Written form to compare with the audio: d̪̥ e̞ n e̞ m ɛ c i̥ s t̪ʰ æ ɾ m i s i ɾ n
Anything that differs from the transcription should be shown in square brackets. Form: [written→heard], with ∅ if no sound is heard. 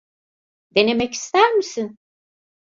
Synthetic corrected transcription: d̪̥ e̞ n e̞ m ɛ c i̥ s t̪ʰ æ ɾ m i s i [ɾ→∅] n